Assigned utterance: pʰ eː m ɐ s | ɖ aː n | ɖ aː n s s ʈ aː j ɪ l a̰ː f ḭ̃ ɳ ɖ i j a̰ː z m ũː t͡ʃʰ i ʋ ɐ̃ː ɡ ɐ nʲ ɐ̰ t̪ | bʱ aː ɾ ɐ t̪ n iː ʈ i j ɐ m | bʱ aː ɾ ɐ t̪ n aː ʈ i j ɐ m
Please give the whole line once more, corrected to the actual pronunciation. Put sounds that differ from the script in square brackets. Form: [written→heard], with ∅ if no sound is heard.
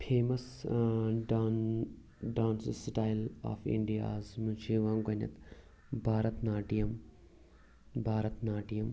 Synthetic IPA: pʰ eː m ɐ s | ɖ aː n | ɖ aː n s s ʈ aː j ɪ l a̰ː f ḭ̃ ɳ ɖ i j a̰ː z m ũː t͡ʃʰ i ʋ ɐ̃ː ɡ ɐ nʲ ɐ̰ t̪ | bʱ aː ɾ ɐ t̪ n [iː→aː] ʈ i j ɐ m | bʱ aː ɾ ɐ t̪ n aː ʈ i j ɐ m